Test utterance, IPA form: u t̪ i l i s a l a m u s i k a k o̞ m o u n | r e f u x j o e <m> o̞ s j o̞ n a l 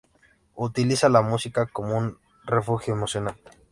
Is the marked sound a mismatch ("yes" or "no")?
no